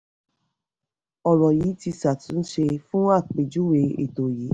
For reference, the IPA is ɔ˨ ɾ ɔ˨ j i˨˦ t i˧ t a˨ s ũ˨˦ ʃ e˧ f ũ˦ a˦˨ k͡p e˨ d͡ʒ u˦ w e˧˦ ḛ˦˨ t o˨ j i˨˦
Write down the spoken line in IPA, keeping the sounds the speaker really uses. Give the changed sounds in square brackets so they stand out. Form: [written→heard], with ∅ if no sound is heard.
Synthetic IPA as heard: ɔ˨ ɾ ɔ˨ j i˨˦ t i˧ [t→s] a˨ [s→t] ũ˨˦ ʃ e˧ f ũ˦ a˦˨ k͡p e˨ d͡ʒ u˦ w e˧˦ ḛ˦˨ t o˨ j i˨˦